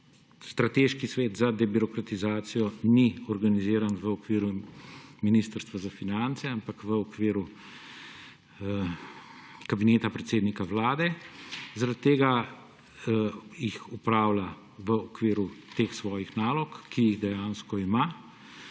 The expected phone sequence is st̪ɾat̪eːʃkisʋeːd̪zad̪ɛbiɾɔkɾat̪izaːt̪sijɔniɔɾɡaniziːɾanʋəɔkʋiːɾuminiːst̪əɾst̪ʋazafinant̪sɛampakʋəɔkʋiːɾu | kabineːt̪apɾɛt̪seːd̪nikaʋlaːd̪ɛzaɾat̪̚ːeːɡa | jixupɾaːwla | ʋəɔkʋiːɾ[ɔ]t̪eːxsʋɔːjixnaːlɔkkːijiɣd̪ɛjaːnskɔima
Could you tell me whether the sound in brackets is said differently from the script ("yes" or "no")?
yes